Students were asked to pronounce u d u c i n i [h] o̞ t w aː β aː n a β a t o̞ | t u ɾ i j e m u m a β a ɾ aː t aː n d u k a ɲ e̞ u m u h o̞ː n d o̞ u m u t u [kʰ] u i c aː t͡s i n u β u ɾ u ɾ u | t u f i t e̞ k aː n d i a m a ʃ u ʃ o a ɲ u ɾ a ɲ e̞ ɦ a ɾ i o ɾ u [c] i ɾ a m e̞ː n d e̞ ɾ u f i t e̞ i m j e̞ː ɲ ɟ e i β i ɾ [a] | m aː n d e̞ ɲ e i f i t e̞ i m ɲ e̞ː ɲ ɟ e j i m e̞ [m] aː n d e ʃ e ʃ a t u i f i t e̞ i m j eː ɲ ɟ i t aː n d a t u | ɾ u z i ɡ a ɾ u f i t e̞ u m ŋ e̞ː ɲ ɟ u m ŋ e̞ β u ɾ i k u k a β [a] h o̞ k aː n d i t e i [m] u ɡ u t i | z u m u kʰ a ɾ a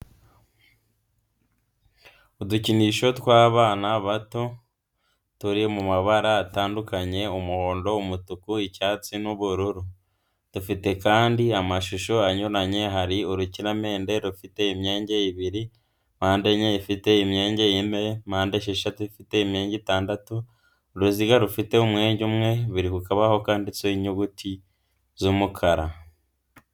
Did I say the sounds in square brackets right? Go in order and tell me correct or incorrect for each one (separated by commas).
incorrect, incorrect, correct, incorrect, correct, correct, incorrect